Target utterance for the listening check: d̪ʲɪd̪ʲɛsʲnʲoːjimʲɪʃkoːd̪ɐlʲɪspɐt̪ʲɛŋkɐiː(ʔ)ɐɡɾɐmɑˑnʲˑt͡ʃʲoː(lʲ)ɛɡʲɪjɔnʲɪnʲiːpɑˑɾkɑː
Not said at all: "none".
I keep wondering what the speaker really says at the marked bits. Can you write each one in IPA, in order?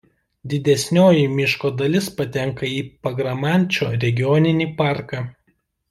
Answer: p, ɾʲ

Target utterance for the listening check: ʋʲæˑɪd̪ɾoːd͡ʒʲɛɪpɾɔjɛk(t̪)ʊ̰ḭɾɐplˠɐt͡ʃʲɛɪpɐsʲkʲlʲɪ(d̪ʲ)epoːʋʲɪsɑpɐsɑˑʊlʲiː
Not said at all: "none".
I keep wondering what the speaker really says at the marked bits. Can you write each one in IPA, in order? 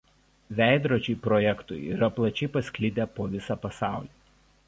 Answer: t̪, d̪ʲ

